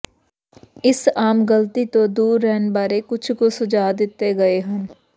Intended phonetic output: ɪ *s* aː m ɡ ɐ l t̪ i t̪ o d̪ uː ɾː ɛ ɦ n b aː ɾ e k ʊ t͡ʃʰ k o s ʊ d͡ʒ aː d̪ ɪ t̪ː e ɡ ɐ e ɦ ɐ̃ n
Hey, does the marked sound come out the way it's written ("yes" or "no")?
yes